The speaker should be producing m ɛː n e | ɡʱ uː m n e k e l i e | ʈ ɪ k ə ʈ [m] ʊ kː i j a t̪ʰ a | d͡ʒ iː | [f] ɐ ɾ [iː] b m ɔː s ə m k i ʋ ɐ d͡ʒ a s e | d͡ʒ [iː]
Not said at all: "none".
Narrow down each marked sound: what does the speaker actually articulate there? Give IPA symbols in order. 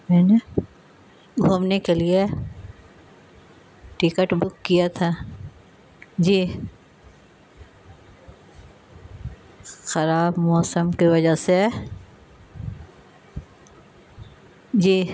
b, x, aː, iː

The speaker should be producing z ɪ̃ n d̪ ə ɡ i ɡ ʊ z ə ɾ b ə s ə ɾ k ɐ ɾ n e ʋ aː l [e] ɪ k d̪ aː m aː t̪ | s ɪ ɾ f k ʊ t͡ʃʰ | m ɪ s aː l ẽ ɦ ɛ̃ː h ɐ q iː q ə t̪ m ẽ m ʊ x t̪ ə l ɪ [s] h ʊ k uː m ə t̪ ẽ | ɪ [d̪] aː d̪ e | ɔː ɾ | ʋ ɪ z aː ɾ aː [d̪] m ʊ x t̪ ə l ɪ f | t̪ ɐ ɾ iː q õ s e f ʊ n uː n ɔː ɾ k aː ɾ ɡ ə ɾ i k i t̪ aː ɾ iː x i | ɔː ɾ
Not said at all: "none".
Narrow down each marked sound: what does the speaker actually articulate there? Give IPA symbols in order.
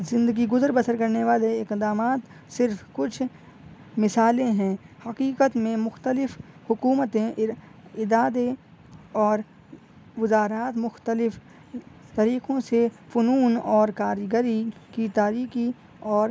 e, f, d̪, t̪

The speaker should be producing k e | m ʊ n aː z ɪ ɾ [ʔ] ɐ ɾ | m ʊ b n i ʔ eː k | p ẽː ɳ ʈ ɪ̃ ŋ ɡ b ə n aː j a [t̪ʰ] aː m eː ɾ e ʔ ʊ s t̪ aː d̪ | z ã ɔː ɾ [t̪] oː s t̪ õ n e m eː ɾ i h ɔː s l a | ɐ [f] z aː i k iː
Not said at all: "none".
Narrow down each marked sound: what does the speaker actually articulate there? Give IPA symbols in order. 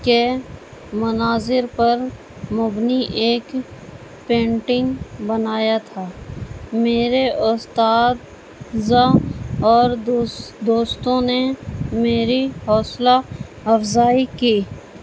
p, t̪ʰ, d̪, f

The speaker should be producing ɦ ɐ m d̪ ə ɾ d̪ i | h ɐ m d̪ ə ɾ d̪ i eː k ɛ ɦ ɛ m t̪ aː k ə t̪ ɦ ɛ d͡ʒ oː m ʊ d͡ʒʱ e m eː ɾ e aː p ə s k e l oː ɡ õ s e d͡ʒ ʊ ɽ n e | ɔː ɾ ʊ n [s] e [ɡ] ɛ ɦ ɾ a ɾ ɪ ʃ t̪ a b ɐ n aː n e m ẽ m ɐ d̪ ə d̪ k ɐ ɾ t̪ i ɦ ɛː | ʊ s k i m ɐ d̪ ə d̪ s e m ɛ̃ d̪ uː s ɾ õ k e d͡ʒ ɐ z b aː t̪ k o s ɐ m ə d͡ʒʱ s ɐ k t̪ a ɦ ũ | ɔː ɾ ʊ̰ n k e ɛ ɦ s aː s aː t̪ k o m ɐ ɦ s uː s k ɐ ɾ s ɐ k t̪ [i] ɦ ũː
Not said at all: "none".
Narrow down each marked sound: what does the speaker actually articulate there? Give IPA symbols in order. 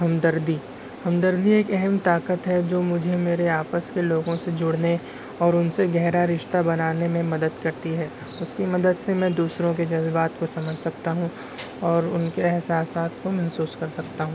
s, ɡ, a

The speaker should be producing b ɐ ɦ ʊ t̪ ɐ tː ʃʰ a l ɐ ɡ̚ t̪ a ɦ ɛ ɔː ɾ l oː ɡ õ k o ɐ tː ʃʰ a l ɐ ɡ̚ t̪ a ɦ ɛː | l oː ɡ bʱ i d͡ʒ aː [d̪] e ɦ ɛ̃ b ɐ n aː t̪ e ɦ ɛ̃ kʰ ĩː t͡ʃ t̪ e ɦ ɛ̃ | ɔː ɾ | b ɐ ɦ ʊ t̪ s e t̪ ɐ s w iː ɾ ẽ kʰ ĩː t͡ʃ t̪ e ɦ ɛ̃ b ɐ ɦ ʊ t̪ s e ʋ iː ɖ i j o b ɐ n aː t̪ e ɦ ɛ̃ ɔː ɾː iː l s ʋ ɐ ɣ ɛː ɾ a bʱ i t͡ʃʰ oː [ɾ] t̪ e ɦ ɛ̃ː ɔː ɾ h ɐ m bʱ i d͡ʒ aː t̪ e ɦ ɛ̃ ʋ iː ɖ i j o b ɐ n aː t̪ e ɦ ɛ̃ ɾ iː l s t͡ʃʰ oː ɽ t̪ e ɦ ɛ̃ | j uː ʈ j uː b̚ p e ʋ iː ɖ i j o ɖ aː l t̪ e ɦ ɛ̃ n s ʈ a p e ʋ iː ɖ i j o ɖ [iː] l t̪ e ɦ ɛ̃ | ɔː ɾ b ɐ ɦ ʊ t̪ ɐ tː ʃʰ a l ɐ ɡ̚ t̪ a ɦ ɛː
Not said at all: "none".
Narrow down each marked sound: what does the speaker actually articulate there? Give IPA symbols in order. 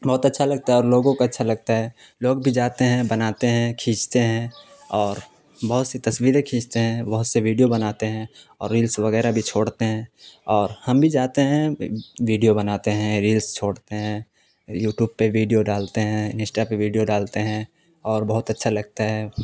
t̪, ɽ, aː

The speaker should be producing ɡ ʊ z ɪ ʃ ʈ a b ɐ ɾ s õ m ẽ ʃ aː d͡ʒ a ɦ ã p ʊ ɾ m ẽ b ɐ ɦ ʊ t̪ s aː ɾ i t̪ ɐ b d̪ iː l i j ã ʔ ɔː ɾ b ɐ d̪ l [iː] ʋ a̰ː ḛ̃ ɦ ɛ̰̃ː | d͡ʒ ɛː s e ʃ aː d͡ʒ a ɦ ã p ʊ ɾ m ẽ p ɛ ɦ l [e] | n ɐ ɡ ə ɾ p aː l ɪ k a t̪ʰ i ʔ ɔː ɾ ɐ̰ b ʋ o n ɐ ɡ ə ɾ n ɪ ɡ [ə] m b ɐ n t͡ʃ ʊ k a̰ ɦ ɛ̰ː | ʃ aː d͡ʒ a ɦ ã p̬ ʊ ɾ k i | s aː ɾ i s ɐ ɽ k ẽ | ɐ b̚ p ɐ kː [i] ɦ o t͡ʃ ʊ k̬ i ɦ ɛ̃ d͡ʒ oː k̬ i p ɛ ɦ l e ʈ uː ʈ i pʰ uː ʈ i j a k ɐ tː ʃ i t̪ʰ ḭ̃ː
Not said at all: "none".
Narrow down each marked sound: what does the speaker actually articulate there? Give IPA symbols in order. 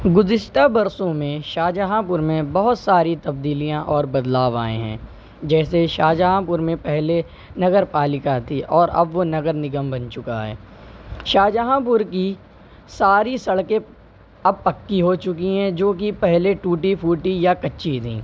aː, e, ə, i

